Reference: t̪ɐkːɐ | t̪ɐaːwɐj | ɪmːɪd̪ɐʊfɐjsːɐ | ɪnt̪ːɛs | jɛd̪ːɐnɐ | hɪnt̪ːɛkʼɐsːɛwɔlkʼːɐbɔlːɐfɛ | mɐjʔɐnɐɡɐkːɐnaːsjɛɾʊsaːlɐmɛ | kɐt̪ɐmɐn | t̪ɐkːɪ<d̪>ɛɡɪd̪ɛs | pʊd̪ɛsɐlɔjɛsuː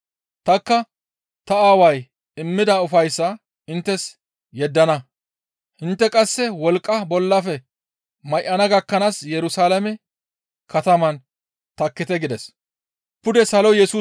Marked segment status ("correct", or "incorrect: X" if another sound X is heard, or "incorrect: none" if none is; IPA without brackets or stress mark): incorrect: t̪